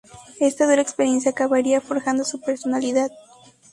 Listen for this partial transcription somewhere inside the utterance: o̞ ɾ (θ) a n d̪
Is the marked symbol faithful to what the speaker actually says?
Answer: no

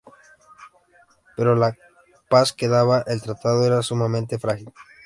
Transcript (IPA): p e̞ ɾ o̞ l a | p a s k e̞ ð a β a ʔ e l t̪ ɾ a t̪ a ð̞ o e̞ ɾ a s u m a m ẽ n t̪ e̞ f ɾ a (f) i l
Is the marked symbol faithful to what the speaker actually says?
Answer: no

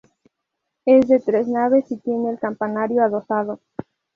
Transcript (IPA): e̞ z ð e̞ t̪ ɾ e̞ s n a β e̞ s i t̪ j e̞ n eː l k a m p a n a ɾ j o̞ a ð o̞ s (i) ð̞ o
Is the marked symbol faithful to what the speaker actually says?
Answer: no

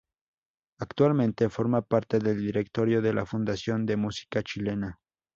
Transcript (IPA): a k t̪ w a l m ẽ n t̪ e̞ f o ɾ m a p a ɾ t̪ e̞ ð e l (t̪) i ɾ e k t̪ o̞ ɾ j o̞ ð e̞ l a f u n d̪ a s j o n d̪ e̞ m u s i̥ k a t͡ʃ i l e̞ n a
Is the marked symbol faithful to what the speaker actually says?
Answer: no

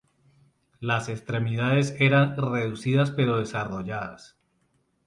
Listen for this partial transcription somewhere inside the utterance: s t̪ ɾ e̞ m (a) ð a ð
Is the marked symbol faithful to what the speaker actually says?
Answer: no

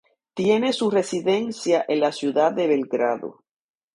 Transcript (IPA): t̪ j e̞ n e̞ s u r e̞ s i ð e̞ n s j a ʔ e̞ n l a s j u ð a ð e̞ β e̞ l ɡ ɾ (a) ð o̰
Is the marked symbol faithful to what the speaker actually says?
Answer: yes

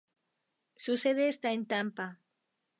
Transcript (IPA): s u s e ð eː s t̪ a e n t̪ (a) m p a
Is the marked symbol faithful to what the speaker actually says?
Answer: yes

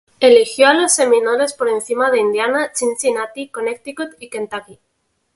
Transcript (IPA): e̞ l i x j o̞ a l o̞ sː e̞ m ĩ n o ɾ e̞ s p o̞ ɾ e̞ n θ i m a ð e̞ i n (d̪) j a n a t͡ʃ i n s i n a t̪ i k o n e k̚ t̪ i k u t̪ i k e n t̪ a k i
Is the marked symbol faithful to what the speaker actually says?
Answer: yes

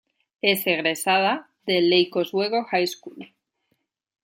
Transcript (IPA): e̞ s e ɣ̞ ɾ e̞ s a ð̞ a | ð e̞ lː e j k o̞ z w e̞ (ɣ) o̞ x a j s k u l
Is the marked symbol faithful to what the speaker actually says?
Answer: yes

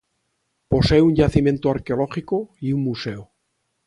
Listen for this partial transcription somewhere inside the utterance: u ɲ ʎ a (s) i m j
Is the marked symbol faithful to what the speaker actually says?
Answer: no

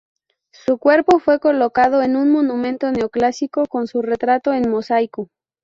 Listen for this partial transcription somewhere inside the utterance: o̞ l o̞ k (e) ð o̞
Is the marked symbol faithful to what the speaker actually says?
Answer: no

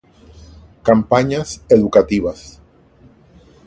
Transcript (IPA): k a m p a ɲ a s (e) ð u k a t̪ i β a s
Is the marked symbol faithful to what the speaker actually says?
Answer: yes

